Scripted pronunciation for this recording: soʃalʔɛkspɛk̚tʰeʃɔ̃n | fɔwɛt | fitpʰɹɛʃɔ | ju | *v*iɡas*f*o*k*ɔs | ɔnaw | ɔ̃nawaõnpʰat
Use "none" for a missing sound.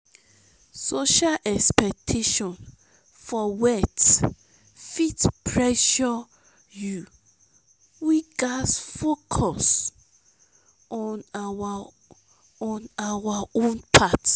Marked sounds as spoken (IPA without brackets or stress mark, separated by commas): w, f, kʰ